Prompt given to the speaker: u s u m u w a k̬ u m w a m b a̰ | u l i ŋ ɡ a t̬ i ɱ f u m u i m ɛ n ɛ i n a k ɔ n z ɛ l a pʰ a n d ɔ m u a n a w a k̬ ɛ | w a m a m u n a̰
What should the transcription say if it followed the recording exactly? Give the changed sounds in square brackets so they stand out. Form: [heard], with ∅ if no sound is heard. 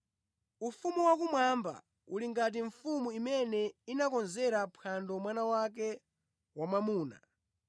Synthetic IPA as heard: u [f] u m u w a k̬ u m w a m b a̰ | u l i ŋ ɡ a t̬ i ɱ f u m u i m ɛ n ɛ i n a k ɔ n z ɛ [ɾ] a pʰ a n d ɔ m [w] a n a w a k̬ ɛ | w a m a m [uː] n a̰

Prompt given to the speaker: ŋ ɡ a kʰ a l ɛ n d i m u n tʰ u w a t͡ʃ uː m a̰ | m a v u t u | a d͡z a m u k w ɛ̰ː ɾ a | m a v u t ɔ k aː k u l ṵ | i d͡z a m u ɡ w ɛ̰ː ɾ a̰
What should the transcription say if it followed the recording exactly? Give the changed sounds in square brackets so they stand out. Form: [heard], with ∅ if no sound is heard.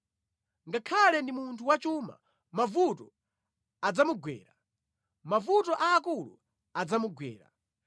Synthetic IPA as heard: ŋ ɡ a kʰ a l ɛ n d i m u n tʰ u w a t͡ʃ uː m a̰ | m a v u t [ɔ] | a d͡z a m u [ɡ] w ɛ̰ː ɾ a | m a v u t ɔ [ʔ] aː k u l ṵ | [a] d͡z a m u ɡ w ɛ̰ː ɾ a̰

